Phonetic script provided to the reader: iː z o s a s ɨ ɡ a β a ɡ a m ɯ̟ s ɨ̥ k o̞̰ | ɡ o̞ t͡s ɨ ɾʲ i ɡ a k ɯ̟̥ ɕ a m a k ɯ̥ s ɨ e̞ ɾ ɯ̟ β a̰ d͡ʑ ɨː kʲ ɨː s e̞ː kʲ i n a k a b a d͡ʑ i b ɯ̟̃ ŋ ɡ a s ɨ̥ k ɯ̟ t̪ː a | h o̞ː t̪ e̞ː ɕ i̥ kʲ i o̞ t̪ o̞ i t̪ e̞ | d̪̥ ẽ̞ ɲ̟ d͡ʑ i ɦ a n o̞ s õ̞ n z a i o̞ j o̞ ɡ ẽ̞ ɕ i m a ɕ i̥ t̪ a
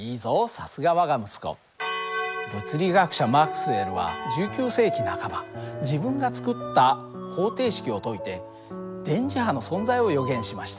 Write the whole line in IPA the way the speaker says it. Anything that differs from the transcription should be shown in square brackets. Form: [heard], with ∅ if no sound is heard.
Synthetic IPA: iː z o s a s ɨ ɡ a β a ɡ a m ɯ̟ s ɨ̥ k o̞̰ | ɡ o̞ t͡s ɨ ɾʲ i ɡ a k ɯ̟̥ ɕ a m a k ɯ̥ s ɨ e̞ ɾ ɯ̟ β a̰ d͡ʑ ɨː kʲ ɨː s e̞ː kʲ i n a k a b a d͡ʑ i b ɯ̟̃ ŋ ɡ a [t͡s] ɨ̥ k ɯ̟ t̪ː a | h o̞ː t̪ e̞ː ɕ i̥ kʲ i o̞ t̪ o̞ i t̪ e̞ | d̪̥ ẽ̞ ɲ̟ d͡ʑ i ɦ a n o̞ s õ̞ n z a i o̞ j o̞ ɡ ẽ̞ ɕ i m a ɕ i̥ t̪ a